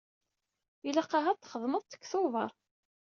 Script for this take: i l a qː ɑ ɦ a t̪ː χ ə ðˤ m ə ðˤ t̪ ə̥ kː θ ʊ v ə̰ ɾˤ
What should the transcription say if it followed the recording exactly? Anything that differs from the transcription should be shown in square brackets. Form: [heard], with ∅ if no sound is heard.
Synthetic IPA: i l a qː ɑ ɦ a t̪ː χ ə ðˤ m ə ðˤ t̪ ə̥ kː θ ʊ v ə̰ ɾˤ